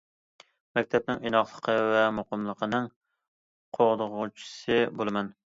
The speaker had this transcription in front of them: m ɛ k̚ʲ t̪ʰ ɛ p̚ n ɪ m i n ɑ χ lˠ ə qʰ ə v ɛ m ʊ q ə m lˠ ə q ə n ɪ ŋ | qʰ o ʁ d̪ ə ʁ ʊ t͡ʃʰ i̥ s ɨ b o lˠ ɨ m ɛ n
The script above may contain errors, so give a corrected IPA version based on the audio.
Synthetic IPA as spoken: m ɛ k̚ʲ t̪ʰ ɛ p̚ n ɪ ŋ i n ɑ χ lˠ ə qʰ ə v ɛ m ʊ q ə m lˠ ə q ə n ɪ ŋ | qʰ o ʁ d̪ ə ʁ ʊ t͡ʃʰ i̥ s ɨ b o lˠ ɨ m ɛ n